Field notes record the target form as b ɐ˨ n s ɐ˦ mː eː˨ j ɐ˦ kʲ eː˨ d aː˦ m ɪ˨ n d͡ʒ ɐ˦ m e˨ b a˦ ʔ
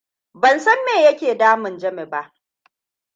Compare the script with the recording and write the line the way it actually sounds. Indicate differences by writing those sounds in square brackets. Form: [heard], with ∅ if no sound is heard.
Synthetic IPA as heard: b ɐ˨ n s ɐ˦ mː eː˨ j ɐ˦ kʲ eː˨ d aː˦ m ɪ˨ n d͡ʒ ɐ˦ m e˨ b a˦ ʔ